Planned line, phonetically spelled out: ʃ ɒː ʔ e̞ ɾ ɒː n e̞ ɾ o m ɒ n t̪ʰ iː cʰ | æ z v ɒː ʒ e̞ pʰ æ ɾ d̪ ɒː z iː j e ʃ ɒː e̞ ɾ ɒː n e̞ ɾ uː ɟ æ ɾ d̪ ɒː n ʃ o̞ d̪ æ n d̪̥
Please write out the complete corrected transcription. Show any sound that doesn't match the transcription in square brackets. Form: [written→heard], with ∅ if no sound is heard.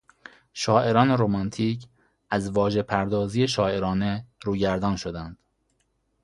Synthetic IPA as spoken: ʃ ɒː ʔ e̞ ɾ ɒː n e̞ ɾ o m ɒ n t̪ʰ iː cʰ | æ z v ɒː ʒ e̞ pʰ æ ɾ d̪ ɒː z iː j e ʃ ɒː e̞ ɾ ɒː n e̞ ɾ uː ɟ æ ɾ d̪ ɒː n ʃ o̞ d̪ æ n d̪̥